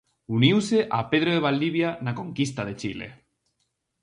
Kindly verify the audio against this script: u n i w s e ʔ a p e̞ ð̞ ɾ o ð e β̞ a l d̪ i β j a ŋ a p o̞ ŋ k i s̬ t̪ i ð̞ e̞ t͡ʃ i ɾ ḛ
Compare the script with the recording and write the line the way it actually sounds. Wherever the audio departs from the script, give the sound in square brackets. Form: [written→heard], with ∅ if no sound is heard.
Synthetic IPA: u n i w s e ʔ a p e̞ ð̞ ɾ o ð e β̞ a l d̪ i β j a [ŋ→n] a [p→k] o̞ ŋ k i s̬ t̪ [i→a] ð̞ e̞ t͡ʃ i [ɾ→l] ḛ